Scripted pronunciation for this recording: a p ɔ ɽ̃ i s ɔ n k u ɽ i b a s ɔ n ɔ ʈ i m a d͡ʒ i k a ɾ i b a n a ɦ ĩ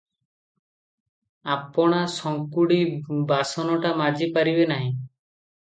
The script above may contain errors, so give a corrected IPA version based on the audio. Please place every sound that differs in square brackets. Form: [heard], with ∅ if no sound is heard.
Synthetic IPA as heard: a p ɔ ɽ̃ [a] s ɔ [ŋ] k u ɽ i b a s ɔ n ɔ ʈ [a] m a d͡ʒ i [p] a ɾ i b [e] n a ɦ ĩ

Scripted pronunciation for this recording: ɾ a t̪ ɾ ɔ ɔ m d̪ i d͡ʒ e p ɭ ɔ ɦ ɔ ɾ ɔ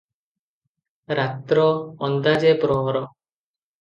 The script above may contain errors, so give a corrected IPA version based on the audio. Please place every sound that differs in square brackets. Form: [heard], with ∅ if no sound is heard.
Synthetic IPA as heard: ɾ a t̪ ɾ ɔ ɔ [n] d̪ [a] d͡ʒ e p [ɾ] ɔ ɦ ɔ ɾ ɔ

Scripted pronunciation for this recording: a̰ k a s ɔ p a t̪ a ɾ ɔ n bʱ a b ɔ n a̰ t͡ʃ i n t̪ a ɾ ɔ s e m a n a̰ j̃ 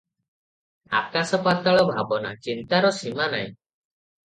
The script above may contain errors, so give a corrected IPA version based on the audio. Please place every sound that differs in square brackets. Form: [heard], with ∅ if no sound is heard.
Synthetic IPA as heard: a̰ k a s ɔ p a t̪ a [ɭ] ɔ [∅] bʱ a b ɔ n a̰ t͡ʃ i n t̪ a ɾ ɔ s [i] m a n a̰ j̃

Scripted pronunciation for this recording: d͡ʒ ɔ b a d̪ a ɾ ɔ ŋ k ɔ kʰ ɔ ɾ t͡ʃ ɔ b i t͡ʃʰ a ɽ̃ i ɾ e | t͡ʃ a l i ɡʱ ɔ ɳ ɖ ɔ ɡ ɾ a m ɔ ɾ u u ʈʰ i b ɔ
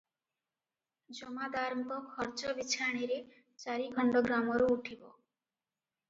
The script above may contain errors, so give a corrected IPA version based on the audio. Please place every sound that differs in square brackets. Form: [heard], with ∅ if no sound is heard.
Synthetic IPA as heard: d͡ʒ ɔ [m] a d̪ a ɾ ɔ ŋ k ɔ kʰ ɔ ɾ t͡ʃ ɔ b i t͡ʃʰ a ɽ̃ i ɾ e | t͡ʃ a [ɾ] i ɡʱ ɔ ɳ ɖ ɔ ɡ ɾ a m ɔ ɾ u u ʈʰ i b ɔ

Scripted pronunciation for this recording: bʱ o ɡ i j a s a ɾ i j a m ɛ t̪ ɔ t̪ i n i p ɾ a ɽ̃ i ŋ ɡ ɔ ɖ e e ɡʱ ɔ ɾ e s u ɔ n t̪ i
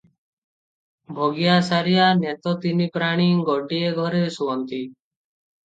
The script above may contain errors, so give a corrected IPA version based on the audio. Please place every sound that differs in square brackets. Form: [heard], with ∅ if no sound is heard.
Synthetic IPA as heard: bʱ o ɡ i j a s a ɾ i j a [n] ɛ t̪ ɔ t̪ i n i p ɾ a ɽ̃ i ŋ ɡ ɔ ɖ [i] e ɡʱ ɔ ɾ e s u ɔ n t̪ i

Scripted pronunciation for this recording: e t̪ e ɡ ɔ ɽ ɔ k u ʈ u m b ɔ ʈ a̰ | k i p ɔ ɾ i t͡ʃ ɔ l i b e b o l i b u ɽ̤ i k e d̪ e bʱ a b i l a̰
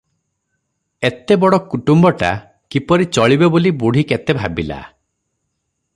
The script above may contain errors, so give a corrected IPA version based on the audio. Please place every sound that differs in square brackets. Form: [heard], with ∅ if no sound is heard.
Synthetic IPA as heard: e t̪ e [b] ɔ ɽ ɔ k u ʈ u m b ɔ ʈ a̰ | k i p ɔ ɾ i t͡ʃ ɔ [ɭ] i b e b o l i b u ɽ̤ i k e [t̪] e bʱ a b i l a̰

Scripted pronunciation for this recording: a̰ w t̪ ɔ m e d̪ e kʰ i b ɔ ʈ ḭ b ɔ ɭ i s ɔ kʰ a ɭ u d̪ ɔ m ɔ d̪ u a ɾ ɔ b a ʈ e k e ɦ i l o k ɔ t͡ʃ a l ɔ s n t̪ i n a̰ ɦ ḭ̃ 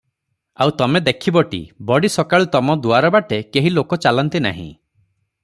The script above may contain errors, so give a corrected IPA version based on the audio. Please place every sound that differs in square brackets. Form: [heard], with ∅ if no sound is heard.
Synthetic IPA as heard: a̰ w t̪ ɔ m e d̪ e kʰ i b ɔ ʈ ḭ b ɔ [ɽ] i s ɔ [k] a ɭ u [t̪] ɔ m ɔ d̪ u a ɾ ɔ b a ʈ e k e ɦ i l o k ɔ t͡ʃ a l ɔ [∅] n t̪ i n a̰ ɦ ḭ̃

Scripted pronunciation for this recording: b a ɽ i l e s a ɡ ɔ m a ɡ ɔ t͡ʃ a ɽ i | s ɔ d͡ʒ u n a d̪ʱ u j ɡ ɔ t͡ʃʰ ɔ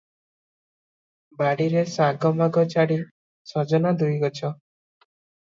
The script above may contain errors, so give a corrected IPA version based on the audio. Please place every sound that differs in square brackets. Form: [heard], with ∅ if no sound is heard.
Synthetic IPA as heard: b a ɽ i [ɾ] e s a ɡ ɔ m a ɡ ɔ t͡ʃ a ɽ i | s ɔ d͡ʒ [ɔ] n a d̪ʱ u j ɡ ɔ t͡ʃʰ ɔ

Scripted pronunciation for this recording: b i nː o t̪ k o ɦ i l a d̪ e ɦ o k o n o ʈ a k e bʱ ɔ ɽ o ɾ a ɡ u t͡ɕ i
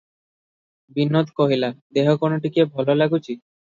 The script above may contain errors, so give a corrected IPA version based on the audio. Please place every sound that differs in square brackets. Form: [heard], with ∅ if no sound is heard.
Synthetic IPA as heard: b i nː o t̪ k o ɦ i l a d̪ e ɦ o k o n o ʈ [i] k e bʱ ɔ [l] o [l] a ɡ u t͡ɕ i

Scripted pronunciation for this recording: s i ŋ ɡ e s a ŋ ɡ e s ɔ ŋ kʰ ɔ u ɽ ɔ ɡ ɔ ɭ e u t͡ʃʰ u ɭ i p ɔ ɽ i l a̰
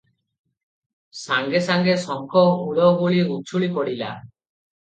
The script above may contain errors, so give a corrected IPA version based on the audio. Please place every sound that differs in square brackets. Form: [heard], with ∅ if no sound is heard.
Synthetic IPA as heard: s [a] ŋ ɡ e s a ŋ ɡ e s ɔ ŋ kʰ ɔ u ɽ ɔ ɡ [u] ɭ [i] u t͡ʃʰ u ɭ i p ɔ ɽ i l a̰

